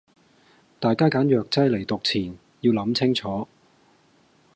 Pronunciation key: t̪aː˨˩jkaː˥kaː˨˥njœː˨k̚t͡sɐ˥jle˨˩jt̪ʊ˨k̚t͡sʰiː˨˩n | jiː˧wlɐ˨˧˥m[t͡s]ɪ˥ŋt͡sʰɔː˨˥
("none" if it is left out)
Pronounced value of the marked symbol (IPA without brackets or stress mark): t͡sʰ